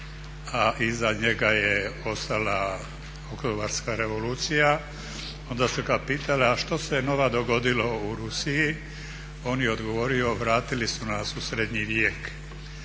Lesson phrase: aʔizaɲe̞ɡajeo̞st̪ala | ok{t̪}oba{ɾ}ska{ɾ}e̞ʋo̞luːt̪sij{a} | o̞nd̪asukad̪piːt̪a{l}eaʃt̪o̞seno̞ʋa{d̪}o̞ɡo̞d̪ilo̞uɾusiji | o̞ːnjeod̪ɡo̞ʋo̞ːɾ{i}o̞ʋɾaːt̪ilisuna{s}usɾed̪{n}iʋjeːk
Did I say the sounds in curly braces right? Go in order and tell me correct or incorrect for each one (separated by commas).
correct, correct, correct, correct, correct, correct, correct, correct, incorrect